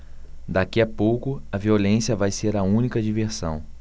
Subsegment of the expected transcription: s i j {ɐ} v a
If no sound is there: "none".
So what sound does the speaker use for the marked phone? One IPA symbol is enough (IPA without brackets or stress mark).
ɐ